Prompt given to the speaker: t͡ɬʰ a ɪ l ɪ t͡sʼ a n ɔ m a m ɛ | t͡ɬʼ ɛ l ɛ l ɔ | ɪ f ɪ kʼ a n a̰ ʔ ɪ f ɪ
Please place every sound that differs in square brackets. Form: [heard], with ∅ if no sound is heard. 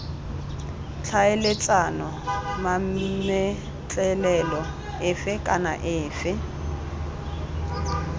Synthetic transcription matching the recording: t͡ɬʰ a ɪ l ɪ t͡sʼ a n ɔ m a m ɛ | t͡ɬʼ ɛ l ɛ l ɔ | ɪ f ɪ kʼ a n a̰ ʔ [ɪː] f ɪ